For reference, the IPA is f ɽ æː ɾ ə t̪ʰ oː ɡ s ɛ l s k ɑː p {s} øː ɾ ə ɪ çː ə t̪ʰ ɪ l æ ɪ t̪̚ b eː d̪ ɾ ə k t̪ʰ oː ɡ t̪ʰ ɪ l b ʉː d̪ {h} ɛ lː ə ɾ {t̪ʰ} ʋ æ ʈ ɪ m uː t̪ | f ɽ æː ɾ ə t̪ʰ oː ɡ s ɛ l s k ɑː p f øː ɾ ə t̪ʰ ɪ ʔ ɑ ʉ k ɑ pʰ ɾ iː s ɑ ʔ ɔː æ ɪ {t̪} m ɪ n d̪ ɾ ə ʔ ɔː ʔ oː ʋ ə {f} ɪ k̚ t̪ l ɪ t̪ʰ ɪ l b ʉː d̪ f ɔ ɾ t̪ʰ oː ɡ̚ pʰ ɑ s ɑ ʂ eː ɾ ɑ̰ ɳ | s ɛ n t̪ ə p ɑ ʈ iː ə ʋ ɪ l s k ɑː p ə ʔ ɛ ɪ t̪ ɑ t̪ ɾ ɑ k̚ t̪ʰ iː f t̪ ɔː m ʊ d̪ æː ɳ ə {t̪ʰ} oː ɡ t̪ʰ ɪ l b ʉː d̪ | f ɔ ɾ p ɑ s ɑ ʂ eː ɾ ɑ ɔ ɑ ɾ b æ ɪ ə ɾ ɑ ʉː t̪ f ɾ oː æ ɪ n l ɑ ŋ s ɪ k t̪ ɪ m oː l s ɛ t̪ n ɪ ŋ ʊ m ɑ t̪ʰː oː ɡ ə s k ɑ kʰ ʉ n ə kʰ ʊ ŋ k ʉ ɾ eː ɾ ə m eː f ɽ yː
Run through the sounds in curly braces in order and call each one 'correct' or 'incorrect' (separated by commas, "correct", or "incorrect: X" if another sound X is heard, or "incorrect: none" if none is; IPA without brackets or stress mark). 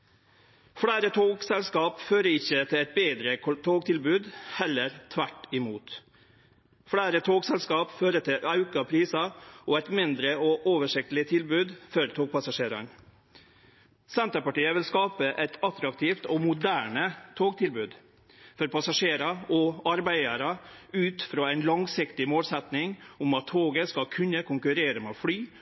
incorrect: f, correct, correct, correct, incorrect: ʂ, correct